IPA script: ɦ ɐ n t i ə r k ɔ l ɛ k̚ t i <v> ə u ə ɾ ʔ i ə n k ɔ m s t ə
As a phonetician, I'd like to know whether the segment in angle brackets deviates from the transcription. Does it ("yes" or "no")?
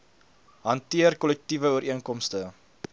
no